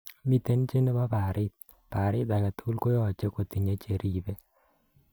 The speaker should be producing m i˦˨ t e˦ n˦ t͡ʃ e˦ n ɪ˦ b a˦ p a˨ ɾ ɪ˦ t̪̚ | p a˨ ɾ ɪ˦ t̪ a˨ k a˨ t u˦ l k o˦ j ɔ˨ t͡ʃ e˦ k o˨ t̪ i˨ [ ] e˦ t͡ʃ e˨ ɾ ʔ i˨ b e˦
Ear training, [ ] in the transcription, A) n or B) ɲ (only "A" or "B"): B